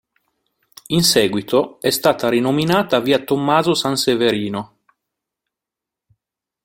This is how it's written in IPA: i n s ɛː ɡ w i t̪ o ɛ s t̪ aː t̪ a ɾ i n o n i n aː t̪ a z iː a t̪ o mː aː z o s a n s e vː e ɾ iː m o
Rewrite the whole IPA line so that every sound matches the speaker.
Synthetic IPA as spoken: i n s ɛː ɡ w i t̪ o ɛ s t̪ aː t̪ a ɾ i n o m i n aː t̪ a v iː a t̪ o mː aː z o s a n s e v e ɾ iː n o